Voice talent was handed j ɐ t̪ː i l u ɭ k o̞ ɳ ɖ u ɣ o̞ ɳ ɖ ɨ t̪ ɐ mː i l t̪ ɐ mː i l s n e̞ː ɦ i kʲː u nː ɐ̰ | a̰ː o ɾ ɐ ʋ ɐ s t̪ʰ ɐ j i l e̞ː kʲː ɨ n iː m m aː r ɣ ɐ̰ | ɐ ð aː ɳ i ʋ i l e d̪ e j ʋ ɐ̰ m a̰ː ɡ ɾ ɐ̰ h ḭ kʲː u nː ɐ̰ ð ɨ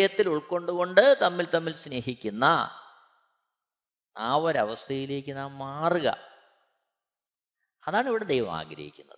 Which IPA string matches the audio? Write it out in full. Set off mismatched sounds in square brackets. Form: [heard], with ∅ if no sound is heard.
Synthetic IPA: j ɐ t̪ː i l u ɭ k o̞ ɳ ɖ u ɣ o̞ ɳ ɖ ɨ t̪ ɐ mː i l t̪ ɐ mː i l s n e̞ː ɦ i kʲː u nː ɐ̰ | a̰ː o ɾ ɐ ʋ ɐ s t̪ʰ ɐ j i l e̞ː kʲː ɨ n [aː] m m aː r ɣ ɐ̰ | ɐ ð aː ɳ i ʋ i [ɽ] e d̪ e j ʋ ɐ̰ m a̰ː ɡ ɾ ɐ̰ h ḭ kʲː u nː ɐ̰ ð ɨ